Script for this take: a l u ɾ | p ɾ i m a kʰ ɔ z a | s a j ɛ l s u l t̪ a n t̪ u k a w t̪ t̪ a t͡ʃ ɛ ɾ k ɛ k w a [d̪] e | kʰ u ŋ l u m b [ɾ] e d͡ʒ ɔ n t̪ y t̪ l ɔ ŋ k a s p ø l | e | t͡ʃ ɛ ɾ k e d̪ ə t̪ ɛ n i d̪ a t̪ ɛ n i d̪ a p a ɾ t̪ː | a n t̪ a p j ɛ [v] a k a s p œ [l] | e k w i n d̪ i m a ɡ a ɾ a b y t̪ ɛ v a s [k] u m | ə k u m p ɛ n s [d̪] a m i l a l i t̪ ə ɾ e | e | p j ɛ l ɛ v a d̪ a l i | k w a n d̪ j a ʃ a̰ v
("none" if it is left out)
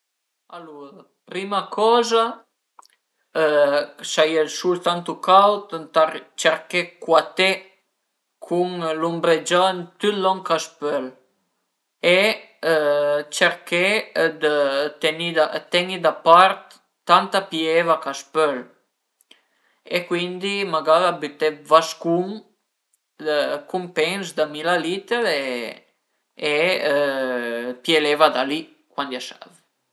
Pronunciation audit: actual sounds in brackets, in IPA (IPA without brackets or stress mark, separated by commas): t̪, ɾ, v, l, k, d̪